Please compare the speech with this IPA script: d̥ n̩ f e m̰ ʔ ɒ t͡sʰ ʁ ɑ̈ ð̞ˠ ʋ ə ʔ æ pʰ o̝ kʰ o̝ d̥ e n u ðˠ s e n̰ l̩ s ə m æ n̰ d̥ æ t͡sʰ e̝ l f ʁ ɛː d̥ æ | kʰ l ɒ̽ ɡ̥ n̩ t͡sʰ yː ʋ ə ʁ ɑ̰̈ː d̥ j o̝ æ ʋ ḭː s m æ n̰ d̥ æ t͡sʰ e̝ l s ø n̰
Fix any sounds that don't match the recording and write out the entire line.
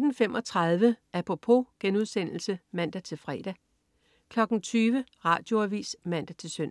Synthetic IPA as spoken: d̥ n̩ f e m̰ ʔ ɒ t͡sʰ ʁ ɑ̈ ð̞ˠ ʋ ə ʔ æ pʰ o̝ pʰ o̝ ɡ̥ e n u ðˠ s e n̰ l̩ s ə m æ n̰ d̥ æ t͡sʰ e̝ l f ʁ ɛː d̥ æ | kʰ l ɒ̽ ɡ̥ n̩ t͡sʰ yː ʋ ə ʁ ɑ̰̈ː d̥ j o̝ æ ʋ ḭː s m æ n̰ d̥ æ t͡sʰ e̝ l s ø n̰